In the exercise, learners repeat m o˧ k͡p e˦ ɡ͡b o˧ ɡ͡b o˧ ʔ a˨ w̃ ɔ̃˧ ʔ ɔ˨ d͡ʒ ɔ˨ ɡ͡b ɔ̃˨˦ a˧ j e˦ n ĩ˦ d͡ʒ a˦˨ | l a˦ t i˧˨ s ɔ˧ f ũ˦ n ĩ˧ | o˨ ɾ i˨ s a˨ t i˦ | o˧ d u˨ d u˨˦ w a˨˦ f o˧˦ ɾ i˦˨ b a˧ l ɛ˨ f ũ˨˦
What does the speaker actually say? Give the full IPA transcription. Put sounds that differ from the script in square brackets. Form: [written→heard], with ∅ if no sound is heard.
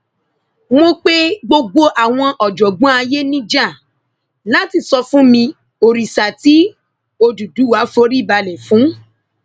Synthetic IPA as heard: m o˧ k͡p e˦ ɡ͡b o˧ ɡ͡b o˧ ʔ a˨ w̃ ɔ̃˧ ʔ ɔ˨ d͡ʒ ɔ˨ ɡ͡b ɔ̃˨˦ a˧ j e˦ n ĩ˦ d͡ʒ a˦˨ | l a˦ t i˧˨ s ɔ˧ f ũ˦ [n→m] ĩ˧ | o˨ ɾ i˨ s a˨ t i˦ | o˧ d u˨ d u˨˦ w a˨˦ f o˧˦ ɾ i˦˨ b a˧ l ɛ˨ f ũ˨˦